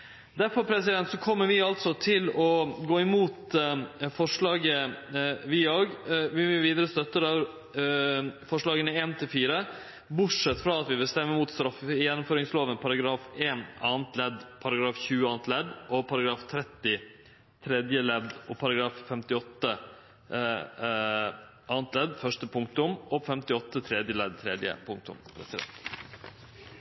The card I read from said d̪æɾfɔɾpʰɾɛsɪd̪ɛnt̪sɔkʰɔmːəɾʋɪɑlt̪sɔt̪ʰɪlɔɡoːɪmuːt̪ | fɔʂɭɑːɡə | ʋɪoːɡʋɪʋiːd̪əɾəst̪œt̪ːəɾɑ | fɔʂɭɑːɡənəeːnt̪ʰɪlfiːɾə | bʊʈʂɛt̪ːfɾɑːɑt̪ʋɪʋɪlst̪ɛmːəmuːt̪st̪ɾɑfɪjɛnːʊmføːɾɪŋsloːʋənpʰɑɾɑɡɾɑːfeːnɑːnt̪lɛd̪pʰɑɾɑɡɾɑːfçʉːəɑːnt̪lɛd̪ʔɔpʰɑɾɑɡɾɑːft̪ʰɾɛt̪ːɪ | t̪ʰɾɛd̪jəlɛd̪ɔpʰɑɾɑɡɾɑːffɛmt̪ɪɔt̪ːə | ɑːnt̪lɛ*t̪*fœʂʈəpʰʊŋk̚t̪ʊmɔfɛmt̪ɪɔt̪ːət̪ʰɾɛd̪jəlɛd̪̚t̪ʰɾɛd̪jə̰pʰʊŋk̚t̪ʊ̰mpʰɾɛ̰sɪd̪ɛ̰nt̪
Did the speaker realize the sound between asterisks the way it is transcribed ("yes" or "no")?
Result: no